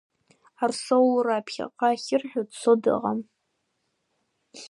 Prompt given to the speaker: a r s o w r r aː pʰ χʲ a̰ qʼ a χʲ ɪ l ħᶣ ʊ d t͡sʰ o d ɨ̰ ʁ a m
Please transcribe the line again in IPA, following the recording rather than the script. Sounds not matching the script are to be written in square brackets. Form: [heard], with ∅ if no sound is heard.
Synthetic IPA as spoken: a r s o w [l] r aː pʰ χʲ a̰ qʼ a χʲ ɪ [r] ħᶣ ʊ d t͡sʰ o d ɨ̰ ʁ a m